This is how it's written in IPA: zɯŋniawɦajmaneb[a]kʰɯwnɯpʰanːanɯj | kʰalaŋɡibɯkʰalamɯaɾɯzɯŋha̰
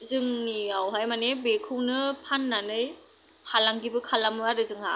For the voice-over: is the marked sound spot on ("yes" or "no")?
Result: no